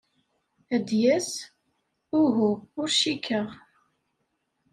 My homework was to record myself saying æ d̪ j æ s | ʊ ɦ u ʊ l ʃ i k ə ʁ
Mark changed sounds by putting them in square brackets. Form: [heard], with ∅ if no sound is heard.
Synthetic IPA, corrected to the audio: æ d̪ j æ s | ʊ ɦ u ʊ [ɾ] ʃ i k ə ʁ